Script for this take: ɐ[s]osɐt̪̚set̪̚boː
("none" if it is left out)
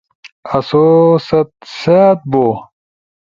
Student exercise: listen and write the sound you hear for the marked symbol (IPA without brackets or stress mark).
s